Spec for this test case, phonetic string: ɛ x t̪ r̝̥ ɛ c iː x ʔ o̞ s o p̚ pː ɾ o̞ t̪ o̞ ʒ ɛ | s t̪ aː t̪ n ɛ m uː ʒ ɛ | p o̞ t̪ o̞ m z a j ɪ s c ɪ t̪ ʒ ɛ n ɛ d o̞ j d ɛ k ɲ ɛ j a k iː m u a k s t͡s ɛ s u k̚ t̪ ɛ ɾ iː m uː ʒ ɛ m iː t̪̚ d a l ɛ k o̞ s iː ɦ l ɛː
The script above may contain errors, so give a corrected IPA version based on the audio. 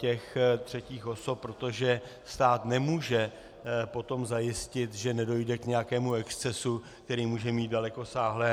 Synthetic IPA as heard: ɛ x t̪ r̝̥ ɛ c iː x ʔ o̞ s o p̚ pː ɾ o̞ t̪ o̞ ʒ ɛ | s t̪ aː t̪ n ɛ m uː ʒ ɛ | p o̞ t̪ o̞ m z a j ɪ s c ɪ t̪ ʒ ɛ n ɛ d o̞ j d ɛ k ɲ ɛ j a k ɛː m u ɛ k s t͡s ɛ s u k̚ t̪ ɛ ɾ iː m uː ʒ ɛ m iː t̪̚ d a l ɛ k o̞ s aː ɦ l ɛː